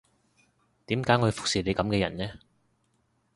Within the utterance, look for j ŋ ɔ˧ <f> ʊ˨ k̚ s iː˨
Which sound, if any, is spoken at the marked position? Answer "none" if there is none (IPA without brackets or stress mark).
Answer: f